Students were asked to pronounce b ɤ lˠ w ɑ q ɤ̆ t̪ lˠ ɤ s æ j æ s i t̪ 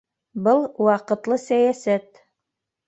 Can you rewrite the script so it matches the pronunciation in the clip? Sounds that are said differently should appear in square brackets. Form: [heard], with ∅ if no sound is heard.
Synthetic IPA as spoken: b ɤ lˠ w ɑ q ɤ̆ t̪ lˠ ɤ s æ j æ s [æ] t̪

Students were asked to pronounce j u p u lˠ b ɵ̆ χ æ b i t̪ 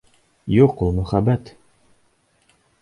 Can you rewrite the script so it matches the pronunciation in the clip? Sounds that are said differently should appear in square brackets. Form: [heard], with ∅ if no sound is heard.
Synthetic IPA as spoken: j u [q] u lˠ [m] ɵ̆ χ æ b [æ] t̪

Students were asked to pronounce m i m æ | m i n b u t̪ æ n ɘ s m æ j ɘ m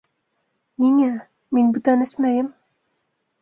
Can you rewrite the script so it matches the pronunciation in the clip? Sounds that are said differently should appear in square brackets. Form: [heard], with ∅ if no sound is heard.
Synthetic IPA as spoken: [n] i [ŋ] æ | m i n b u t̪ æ n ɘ s m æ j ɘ m

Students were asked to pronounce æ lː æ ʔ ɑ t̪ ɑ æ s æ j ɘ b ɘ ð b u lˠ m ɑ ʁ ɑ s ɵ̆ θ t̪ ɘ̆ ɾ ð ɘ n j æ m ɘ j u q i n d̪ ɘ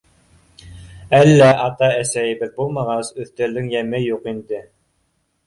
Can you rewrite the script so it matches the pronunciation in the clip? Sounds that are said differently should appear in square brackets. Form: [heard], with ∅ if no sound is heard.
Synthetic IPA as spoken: æ lː æ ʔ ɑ t̪ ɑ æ s æ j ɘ b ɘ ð b u lˠ m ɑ ʁ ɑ s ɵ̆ θ t̪ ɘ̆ ɾ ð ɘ [ŋ] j æ m ɘ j u q i n d̪ ɘ

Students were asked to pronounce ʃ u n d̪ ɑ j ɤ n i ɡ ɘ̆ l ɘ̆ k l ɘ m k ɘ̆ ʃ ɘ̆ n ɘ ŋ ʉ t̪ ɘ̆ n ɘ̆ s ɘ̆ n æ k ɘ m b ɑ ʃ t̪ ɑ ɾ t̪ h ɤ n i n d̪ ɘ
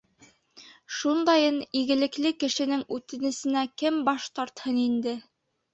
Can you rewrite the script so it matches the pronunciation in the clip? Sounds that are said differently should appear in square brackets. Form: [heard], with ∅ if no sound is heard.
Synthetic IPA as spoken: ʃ u n d̪ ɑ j ɤ n i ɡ ɘ̆ l ɘ̆ k l ɘ [∅] k ɘ̆ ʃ ɘ̆ n ɘ ŋ ʉ t̪ ɘ̆ n ɘ̆ s ɘ̆ n æ k ɘ m b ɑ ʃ t̪ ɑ ɾ t̪ h ɤ n i n d̪ ɘ

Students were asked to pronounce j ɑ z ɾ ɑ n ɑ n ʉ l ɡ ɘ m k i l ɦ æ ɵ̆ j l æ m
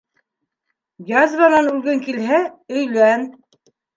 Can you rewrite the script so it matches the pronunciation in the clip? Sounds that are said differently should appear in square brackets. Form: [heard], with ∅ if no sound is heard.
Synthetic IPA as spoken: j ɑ z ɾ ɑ n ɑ n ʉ l ɡ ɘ [ŋ] k i l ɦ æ ɵ̆ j l æ [n]

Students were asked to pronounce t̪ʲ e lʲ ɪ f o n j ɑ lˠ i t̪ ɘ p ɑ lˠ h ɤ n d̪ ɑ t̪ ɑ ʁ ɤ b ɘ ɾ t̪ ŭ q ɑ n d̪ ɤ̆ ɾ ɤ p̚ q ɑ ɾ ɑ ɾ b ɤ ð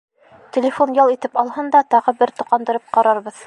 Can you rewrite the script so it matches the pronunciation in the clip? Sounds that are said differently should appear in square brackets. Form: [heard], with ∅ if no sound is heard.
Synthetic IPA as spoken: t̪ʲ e lʲ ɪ f o n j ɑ lˠ i t̪ ɘ p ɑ lˠ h ɤ n d̪ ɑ t̪ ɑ ʁ ɤ b ɘ ɾ t̪ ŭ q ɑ n d̪ ɤ̆ ɾ ɤ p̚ q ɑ ɾ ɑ ɾ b ɤ ð

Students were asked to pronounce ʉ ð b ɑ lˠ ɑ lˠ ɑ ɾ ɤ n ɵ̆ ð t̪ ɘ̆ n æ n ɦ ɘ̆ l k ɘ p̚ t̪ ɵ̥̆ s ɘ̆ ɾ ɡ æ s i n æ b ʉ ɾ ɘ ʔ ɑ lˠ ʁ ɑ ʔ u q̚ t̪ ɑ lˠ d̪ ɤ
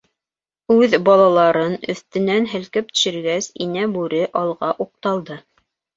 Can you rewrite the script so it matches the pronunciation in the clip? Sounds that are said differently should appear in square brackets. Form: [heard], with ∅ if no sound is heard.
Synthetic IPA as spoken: ʉ ð b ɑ lˠ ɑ lˠ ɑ ɾ ɤ n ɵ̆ [θ] t̪ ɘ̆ n æ n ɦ ɘ̆ l k ɘ p̚ t̪ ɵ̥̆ [ʃ] ɘ̆ ɾ ɡ æ s i n æ b ʉ ɾ ɘ ʔ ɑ lˠ ʁ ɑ ʔ u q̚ t̪ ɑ lˠ d̪ ɤ

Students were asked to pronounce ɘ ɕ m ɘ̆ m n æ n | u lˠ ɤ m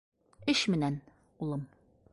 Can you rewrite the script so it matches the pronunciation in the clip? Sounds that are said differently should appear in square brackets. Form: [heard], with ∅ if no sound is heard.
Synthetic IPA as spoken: ɘ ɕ m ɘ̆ [∅] n æ n | u lˠ ɤ m

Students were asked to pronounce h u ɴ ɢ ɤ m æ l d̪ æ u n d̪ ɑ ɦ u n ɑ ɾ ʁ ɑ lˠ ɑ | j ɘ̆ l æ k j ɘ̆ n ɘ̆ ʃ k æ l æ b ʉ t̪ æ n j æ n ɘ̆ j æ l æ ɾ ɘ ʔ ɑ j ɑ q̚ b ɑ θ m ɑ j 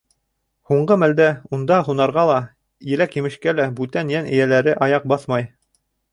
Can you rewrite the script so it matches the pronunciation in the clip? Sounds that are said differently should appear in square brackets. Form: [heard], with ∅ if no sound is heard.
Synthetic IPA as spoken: h u ɴ ɢ ɤ m æ l d̪ æ u n d̪ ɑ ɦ u n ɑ ɾ ʁ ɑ lˠ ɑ | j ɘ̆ l æ k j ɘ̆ [m] ɘ̆ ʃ k æ l æ b ʉ t̪ æ n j æ n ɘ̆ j æ l æ ɾ ɘ ʔ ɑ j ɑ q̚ b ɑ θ m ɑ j

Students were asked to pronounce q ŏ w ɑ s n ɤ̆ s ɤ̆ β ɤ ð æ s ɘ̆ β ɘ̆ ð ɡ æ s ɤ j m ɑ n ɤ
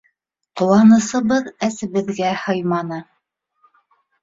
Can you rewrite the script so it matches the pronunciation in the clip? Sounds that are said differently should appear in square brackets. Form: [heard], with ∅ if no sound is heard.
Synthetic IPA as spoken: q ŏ w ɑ [∅] n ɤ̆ s ɤ̆ β ɤ ð æ s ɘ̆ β ɘ̆ ð ɡ æ [h] ɤ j m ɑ n ɤ

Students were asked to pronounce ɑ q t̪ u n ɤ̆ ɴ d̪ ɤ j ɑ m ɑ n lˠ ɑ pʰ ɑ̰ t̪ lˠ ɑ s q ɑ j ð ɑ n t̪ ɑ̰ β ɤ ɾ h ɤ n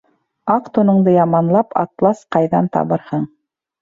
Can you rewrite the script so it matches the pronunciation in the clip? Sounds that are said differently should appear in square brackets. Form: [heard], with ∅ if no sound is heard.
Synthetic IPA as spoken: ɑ q t̪ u n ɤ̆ ɴ d̪ ɤ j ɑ m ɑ n lˠ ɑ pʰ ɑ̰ t̪ lˠ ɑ s q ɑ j ð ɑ n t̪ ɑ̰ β ɤ ɾ h ɤ [ɴ]

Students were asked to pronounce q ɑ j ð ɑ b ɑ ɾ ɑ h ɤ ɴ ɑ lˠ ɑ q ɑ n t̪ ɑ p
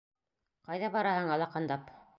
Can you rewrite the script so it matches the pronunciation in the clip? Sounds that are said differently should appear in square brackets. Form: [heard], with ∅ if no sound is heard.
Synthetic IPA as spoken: q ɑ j ð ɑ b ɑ ɾ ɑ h ɤ ɴ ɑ lˠ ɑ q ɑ n [d̪] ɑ p

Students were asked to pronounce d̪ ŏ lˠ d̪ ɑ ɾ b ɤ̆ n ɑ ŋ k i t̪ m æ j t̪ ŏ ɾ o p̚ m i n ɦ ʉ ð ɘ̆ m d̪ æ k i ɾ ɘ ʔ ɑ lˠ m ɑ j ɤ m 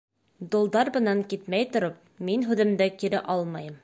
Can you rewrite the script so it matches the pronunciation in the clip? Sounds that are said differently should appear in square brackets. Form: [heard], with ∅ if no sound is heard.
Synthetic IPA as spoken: d̪ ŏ lˠ d̪ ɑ ɾ b ɤ̆ n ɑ ŋ k i t̪ m æ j t̪ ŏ ɾ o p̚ m i n ɦ ʉ ð ɘ̆ m d̪ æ k i ɾ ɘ ʔ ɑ lˠ m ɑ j ɤ m

